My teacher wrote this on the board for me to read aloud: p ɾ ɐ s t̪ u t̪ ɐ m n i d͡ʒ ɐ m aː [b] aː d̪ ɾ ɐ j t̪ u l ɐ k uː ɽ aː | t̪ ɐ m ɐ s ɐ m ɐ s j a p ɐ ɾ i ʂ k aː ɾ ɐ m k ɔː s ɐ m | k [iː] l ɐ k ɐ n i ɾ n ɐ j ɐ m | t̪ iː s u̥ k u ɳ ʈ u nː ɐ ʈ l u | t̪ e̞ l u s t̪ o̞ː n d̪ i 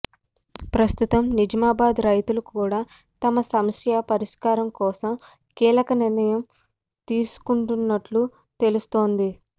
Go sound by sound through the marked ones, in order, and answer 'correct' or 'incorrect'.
correct, correct

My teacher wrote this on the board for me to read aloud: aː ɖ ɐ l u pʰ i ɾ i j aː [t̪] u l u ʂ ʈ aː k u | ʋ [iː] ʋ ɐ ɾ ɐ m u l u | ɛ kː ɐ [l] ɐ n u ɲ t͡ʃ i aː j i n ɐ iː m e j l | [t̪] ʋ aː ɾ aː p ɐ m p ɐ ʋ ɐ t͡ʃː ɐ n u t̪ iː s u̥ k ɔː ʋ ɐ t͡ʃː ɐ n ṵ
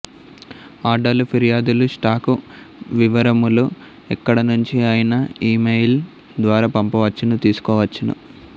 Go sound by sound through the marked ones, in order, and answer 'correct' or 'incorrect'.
incorrect: d̪, incorrect: i, incorrect: ɽ, incorrect: d̪

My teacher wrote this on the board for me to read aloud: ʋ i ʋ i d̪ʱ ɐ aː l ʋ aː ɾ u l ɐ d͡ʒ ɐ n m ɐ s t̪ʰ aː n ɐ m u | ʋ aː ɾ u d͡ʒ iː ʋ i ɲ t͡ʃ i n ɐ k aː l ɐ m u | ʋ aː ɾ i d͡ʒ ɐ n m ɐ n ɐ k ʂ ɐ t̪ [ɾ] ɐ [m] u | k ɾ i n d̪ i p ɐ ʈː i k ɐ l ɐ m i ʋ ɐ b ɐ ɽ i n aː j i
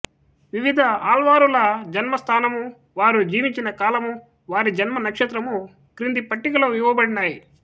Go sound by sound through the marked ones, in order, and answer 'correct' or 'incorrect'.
correct, correct

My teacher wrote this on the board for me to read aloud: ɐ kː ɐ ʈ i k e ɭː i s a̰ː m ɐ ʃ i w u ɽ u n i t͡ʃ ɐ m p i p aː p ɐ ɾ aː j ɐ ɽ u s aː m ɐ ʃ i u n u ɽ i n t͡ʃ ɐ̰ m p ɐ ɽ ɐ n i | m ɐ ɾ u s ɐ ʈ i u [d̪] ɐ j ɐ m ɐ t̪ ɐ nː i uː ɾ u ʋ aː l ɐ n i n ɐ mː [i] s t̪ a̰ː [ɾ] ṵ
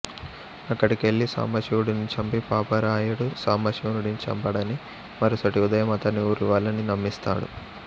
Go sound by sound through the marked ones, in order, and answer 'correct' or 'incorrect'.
correct, correct, incorrect: ɽ

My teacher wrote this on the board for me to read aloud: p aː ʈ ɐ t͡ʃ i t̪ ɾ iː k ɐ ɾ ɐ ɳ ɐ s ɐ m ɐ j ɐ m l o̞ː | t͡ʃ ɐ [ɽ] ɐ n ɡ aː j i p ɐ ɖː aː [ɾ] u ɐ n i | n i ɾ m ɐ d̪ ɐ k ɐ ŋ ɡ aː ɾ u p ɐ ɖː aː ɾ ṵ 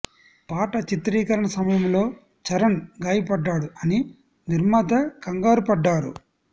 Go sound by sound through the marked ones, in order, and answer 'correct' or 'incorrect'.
incorrect: ɾ, incorrect: ɽ

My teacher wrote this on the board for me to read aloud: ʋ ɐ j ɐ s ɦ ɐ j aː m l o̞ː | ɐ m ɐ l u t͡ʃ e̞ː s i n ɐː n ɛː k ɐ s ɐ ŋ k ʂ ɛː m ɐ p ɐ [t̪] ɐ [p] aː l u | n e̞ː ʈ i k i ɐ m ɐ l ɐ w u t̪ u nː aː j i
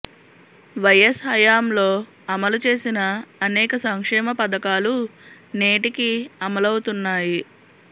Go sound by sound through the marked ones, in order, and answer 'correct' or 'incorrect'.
incorrect: d̪, incorrect: k

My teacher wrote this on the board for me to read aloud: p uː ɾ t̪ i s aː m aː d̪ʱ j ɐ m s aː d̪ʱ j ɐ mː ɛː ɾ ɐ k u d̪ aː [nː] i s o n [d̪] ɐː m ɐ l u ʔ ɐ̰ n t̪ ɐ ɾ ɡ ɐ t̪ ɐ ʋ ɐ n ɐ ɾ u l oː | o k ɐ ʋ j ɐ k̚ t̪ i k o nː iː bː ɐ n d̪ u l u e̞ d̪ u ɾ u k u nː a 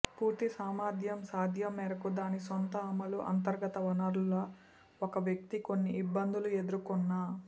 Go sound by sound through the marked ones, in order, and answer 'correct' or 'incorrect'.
incorrect: n, incorrect: t̪

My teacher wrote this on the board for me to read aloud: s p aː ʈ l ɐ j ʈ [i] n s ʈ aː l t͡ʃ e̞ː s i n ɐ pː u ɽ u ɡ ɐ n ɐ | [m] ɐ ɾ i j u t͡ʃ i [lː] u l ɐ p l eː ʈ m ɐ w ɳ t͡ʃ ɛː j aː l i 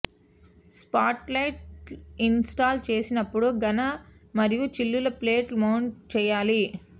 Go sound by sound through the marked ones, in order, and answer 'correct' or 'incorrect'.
correct, correct, correct

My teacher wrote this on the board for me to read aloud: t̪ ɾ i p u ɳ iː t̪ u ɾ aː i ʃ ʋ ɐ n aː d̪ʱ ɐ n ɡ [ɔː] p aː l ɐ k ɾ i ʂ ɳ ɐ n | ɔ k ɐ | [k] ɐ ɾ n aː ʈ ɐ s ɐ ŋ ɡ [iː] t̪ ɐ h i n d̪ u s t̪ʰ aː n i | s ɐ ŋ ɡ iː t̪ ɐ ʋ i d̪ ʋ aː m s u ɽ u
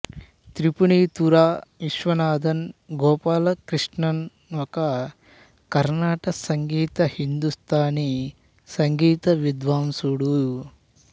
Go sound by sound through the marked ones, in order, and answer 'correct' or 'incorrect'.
correct, correct, correct

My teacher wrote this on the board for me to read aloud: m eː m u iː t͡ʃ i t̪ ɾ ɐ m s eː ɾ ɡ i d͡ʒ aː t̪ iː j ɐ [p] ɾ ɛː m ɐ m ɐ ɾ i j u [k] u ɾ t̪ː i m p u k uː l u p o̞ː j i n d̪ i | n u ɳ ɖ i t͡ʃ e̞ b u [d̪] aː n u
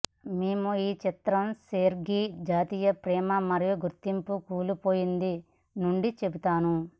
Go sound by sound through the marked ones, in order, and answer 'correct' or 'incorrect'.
correct, incorrect: ɡ, incorrect: t̪

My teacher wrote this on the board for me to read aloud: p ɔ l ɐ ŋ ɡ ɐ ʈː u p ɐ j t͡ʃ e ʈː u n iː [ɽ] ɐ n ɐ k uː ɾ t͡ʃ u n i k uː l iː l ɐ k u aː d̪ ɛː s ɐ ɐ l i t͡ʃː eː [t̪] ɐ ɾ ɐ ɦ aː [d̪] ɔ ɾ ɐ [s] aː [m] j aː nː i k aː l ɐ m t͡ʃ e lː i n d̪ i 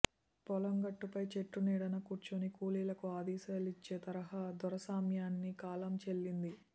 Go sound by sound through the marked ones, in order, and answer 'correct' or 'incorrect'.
correct, correct, correct, correct, correct

